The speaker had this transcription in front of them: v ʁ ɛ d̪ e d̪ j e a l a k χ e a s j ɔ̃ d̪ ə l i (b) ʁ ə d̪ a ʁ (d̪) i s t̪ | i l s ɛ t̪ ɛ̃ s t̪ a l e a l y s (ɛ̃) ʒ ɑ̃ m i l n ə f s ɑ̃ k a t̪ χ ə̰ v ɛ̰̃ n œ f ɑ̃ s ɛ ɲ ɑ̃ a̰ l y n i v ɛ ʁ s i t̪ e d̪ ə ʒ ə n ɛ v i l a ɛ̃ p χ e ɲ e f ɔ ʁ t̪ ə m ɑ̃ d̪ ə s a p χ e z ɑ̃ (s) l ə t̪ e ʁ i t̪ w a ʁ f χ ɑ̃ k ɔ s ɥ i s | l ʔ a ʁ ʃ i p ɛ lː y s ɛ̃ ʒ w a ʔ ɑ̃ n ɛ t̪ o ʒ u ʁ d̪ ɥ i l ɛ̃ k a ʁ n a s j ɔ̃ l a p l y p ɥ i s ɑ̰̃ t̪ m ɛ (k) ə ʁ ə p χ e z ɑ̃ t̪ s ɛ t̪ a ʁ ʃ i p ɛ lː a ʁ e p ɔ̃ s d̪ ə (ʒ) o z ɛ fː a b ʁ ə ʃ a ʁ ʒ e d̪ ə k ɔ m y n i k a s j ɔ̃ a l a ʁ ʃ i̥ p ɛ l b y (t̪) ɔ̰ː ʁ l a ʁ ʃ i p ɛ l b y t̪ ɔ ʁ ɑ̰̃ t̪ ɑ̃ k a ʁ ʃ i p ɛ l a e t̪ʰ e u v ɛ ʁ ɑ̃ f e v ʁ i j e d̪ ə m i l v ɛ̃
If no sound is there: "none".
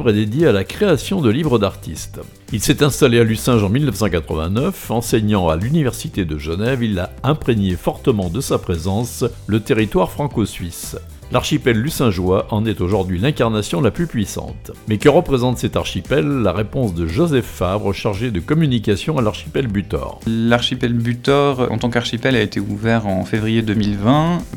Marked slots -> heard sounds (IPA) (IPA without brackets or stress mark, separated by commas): v, t̪, ɛ̃, s, k, ʒ, t̪